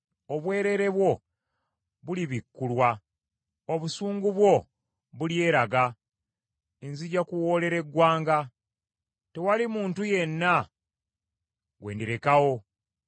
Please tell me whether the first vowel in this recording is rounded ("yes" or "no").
yes